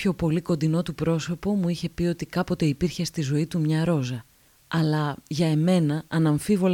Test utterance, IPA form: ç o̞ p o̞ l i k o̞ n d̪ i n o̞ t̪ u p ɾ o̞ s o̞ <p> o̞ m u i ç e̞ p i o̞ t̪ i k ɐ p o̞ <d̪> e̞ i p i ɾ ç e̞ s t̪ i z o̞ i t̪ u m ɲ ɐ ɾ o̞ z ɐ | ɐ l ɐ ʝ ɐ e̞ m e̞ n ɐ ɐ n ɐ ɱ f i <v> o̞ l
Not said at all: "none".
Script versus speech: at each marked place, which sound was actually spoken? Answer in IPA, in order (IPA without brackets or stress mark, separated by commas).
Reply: p, t̪, v